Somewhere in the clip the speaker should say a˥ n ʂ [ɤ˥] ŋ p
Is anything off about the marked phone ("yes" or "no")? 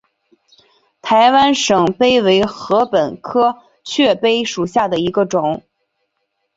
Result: yes